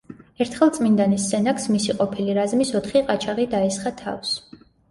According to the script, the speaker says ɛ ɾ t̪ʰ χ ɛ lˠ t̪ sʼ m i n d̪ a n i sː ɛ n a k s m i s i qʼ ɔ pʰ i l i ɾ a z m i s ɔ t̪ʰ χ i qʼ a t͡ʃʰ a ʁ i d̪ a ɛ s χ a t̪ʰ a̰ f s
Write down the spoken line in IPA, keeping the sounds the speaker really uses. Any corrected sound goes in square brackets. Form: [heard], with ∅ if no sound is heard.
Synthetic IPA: ɛ ɾ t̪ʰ χ ɛ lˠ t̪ sʼ m i n d̪ a n i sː ɛ n a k s m i s i qʼ ɔ pʰ i l i ɾ a z m i s ɔ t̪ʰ χ i qʼ a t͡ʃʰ a ʁ i d̪ a ɛ s χ a t̪ʰ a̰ f s